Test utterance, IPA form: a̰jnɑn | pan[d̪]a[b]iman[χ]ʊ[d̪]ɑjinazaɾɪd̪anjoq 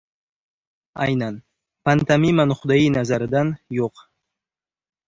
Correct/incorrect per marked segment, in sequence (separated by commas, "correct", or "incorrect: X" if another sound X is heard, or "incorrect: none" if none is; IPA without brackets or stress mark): incorrect: t̪, incorrect: m, correct, correct